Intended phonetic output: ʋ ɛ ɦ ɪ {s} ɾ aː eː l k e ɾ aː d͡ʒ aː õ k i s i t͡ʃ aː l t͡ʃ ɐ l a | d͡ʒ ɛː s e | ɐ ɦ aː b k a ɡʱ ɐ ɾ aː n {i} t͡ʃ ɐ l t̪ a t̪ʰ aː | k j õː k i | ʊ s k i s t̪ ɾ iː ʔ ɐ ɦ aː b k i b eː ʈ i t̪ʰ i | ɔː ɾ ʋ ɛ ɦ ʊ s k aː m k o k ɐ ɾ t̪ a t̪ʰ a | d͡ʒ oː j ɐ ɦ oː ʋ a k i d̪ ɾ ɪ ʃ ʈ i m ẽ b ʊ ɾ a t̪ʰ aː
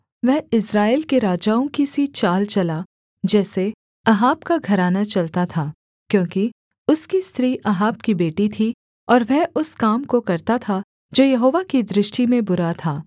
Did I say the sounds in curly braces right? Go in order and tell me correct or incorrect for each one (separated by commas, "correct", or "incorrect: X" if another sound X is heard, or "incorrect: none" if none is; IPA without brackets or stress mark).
correct, incorrect: a